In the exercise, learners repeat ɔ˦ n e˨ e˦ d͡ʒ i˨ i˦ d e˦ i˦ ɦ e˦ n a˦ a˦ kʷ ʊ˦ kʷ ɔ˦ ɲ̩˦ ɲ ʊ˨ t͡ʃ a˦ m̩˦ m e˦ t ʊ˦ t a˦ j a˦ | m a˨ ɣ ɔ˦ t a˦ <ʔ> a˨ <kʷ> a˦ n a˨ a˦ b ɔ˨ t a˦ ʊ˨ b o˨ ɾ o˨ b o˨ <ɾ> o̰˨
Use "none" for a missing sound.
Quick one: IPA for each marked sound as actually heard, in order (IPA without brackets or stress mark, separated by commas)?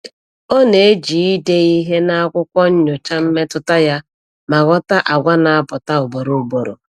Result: ʔ, ɡʷ, ɾ